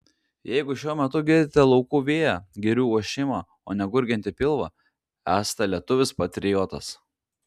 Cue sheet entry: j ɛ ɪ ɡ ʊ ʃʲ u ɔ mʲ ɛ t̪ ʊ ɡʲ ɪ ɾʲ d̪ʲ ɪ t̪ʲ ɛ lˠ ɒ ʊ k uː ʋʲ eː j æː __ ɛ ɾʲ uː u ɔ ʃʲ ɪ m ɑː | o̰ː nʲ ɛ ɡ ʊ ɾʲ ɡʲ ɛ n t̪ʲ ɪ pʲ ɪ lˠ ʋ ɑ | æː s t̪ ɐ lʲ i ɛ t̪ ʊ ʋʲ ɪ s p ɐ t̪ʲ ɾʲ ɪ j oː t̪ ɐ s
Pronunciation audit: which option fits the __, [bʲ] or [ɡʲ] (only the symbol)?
ɡʲ